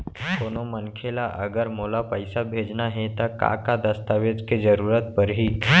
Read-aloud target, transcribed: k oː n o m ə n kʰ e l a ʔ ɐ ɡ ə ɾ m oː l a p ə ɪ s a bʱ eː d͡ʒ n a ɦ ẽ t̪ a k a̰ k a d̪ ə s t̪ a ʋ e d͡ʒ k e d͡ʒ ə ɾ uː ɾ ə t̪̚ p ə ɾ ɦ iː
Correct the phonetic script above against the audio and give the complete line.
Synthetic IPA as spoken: k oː n o m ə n kʰ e l a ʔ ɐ ɡ ə ɾ m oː l a p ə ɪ s a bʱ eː d͡ʒ n a ɦ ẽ t̪ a k a̰ k a d̪ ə s t̪ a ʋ e d͡ʒ k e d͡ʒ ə ɾ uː ɾ ə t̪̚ p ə ɾ ɦ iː